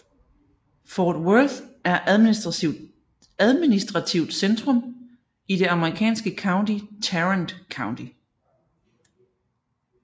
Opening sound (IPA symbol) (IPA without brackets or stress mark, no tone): f